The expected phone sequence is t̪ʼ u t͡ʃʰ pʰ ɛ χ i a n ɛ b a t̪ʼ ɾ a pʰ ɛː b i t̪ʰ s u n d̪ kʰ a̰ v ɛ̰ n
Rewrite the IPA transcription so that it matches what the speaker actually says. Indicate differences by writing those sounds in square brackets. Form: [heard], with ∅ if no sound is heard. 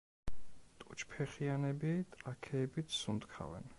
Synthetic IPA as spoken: t̪ʼ u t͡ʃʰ pʰ ɛ χ i a n ɛ b [i] t̪ʼ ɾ a [kʰ] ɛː b i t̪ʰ s u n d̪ kʰ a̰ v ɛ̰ n